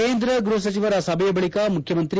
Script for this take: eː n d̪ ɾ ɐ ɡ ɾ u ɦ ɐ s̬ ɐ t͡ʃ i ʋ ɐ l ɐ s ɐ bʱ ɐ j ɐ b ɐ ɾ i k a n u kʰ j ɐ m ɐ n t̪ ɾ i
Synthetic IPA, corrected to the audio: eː n d̪ ɾ ɐ ɡ ɾ u ɦ ɐ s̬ ɐ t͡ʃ i ʋ ɐ ɾ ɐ s ɐ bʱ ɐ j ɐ b ɐ ɭ i k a m u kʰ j ɐ m ɐ n t̪ ɾ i